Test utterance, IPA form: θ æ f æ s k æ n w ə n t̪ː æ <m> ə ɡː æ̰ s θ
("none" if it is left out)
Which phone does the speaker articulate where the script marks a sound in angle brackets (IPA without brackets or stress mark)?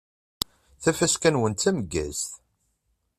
m